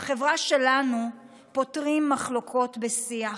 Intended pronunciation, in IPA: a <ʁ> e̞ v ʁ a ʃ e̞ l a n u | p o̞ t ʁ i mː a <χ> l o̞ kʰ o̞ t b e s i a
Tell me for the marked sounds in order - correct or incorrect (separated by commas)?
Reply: incorrect, correct